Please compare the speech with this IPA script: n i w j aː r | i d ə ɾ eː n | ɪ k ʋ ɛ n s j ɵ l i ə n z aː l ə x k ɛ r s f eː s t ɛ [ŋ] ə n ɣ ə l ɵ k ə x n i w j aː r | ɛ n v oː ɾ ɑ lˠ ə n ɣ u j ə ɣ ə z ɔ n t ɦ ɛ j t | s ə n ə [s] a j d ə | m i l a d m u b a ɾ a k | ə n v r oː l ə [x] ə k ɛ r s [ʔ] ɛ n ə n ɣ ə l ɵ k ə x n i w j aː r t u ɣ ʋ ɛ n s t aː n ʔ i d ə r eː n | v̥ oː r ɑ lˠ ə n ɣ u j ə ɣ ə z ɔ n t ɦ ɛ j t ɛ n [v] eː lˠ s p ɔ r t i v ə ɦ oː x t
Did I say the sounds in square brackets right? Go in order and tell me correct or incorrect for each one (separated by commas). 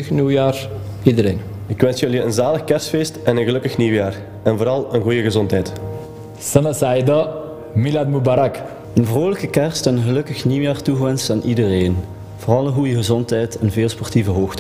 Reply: incorrect, correct, incorrect, incorrect, correct